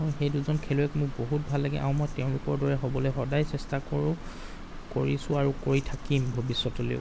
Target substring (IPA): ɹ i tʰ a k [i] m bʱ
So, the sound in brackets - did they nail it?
yes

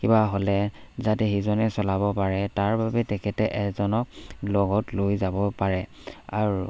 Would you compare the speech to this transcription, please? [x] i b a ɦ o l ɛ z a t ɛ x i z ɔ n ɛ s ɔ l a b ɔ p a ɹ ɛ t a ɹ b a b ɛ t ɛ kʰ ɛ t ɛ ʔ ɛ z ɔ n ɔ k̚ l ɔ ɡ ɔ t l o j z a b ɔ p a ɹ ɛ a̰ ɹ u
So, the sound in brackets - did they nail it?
no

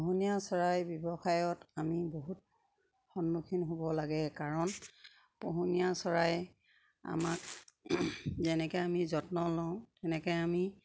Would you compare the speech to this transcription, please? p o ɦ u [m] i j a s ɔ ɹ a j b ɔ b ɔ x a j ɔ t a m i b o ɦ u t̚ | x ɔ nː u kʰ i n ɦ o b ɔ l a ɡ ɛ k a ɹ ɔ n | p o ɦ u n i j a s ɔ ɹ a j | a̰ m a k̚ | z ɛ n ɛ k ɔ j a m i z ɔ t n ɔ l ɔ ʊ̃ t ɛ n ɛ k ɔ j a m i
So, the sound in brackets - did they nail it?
no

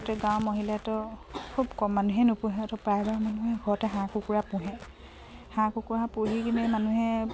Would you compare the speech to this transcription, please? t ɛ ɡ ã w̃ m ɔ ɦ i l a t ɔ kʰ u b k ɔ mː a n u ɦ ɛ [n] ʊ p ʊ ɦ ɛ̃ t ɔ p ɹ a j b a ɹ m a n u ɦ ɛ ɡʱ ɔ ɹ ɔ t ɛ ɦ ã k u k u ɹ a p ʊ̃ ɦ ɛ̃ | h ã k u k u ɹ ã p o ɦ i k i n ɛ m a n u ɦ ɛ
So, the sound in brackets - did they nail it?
yes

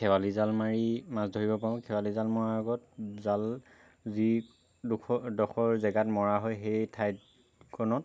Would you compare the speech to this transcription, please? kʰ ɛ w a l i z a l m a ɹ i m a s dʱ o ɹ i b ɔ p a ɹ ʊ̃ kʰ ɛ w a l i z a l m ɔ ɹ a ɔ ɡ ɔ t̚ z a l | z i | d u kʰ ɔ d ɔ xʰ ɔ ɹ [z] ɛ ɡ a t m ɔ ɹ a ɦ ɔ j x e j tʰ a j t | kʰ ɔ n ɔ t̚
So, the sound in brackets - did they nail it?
yes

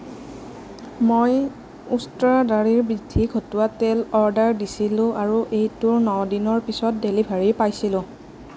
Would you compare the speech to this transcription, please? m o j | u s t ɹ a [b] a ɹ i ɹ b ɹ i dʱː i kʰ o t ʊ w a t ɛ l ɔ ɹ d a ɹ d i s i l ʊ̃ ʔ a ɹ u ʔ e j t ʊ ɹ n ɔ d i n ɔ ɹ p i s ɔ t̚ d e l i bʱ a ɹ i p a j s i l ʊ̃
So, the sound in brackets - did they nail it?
no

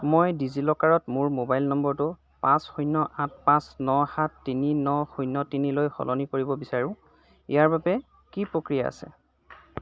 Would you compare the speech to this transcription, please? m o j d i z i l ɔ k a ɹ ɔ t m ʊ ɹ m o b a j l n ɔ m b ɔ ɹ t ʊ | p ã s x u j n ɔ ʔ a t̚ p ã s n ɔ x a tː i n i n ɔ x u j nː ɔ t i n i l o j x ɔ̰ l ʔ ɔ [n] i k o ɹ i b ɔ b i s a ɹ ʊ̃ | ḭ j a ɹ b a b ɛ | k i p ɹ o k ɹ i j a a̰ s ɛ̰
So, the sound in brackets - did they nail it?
yes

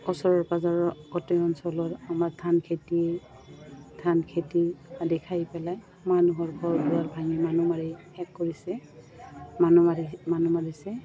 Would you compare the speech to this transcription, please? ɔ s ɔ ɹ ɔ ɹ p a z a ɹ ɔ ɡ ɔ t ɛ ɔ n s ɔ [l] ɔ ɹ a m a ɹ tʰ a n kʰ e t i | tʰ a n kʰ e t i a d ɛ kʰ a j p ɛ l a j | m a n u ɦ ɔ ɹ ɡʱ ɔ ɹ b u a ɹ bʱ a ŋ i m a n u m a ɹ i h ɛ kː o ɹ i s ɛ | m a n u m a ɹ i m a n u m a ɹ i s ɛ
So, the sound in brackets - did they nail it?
yes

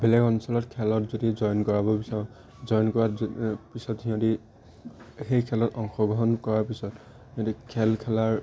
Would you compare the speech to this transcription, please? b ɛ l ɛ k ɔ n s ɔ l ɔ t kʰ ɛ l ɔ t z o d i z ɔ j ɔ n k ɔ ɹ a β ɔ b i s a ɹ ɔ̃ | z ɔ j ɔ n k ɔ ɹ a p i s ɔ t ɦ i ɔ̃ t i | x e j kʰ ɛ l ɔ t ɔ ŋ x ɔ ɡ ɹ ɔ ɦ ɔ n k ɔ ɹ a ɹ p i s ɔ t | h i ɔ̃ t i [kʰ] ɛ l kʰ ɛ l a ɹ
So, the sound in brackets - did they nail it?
yes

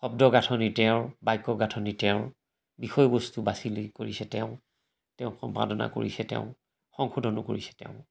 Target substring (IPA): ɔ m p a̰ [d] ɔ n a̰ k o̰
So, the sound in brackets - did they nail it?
yes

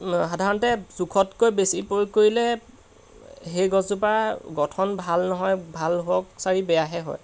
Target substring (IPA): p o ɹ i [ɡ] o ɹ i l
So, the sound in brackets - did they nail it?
no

